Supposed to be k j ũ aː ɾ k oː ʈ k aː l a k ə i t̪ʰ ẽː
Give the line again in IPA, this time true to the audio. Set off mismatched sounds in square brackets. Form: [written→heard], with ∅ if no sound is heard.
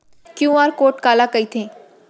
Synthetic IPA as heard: k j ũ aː ɾ k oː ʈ k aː l a k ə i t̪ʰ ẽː